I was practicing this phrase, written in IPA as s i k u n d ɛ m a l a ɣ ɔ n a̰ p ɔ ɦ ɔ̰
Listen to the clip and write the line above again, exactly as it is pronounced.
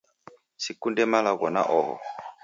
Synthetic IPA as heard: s i k u n d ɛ m a l a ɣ ɔ n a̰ ʔ ɔ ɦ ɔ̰